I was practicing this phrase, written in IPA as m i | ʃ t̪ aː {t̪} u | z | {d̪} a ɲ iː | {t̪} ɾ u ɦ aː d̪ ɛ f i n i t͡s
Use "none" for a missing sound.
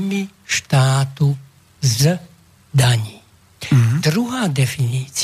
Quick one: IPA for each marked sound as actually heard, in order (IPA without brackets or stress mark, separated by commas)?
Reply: t̪, d̪, d̪